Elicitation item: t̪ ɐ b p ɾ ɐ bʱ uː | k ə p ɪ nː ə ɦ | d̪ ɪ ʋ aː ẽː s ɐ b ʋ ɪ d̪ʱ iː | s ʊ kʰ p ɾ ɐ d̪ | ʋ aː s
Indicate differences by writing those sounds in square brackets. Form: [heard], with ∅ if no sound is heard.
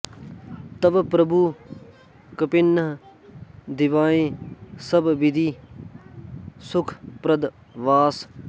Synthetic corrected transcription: t̪ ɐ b p ɾ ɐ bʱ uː | k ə p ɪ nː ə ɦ | d̪ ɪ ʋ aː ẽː s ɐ b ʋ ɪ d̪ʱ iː | s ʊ kʰ p ɾ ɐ d̪ | ʋ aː s